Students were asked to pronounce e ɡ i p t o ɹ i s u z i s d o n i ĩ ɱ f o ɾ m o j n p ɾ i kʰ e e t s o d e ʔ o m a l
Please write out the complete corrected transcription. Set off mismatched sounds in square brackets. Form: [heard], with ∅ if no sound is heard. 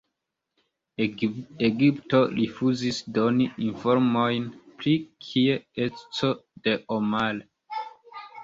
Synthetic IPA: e ɡ i p t o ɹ i [f] u z i s d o n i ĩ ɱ f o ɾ m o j n p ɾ i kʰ [i] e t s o d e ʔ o m a l